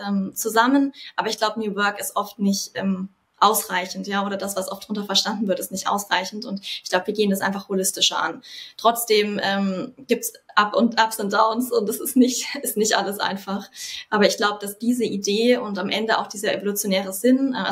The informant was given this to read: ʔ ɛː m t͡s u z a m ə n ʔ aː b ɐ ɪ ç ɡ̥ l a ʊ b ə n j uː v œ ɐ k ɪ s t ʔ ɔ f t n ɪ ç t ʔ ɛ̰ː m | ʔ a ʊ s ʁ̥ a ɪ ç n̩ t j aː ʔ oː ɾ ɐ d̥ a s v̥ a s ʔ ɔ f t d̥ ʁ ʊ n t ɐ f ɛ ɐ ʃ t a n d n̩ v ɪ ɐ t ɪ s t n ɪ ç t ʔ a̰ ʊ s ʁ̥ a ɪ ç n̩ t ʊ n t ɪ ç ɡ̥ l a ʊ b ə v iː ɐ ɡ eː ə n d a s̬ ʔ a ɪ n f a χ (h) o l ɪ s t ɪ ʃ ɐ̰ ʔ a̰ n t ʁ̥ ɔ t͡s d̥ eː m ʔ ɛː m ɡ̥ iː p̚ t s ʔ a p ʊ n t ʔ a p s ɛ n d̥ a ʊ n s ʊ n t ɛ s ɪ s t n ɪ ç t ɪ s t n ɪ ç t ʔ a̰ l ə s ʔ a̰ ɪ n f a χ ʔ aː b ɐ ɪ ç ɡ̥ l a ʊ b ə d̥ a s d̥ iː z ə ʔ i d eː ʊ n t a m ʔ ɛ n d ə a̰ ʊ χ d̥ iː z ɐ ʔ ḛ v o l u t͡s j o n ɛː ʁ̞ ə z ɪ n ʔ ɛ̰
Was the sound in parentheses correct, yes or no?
yes